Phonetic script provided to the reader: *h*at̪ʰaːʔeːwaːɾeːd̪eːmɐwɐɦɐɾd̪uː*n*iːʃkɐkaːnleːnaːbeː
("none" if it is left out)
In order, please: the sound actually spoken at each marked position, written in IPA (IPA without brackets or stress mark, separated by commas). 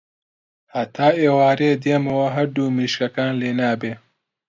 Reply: h, m